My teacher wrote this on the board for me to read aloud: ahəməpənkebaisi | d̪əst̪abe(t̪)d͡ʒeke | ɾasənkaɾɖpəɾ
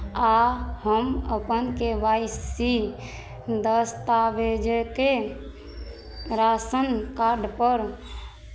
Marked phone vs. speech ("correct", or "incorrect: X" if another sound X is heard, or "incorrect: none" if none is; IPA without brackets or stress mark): incorrect: none